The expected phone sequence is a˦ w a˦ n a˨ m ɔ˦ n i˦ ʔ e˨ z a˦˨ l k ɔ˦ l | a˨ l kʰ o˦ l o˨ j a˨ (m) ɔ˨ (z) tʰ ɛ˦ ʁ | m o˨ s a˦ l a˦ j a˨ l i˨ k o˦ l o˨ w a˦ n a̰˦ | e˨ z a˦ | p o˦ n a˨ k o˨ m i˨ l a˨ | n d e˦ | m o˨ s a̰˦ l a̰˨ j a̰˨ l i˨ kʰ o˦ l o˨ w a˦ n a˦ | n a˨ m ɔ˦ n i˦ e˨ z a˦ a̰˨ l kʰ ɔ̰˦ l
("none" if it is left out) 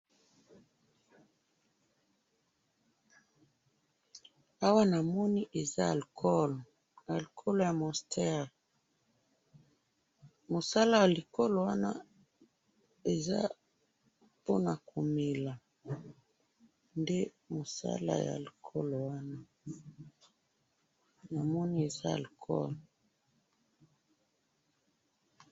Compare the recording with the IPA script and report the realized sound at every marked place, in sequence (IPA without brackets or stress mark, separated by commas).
m, s